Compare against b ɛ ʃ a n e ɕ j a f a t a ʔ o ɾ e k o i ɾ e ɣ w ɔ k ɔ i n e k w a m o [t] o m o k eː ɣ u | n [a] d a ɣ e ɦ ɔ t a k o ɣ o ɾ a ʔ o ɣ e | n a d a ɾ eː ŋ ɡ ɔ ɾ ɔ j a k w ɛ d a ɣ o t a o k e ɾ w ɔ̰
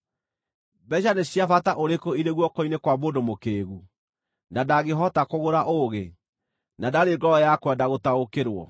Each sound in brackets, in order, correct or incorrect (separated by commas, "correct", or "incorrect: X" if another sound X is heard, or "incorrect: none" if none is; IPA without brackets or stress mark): incorrect: d, correct